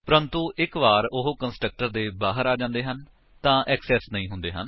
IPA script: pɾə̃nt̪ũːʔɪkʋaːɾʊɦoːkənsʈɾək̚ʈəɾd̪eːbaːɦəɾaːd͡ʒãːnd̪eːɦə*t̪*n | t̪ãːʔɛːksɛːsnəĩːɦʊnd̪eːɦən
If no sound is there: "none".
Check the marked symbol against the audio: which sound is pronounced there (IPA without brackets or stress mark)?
none